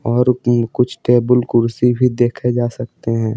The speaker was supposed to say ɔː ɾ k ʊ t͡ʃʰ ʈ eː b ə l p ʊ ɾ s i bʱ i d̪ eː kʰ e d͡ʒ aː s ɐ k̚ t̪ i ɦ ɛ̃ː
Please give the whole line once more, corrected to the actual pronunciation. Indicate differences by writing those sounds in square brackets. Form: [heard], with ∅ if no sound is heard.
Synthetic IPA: ɔː ɾ k ʊ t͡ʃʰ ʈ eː b ə l [k] ʊ ɾ s i bʱ i d̪ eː kʰ e d͡ʒ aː s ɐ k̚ t̪ [e] ɦ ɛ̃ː